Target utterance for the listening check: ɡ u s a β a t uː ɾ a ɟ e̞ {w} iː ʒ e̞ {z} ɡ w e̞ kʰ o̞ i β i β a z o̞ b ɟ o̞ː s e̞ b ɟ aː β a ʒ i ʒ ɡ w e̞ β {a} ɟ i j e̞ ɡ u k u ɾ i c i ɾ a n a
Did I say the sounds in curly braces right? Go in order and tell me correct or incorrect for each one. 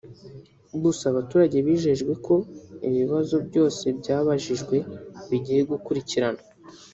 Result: incorrect: β, incorrect: ʒ, incorrect: i

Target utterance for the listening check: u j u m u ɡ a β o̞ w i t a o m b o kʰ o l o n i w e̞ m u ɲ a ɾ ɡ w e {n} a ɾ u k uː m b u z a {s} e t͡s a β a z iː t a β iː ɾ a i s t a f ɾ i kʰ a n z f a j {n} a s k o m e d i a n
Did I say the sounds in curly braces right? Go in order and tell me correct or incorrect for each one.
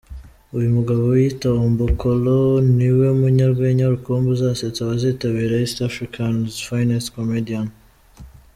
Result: incorrect: ɲ, correct, correct

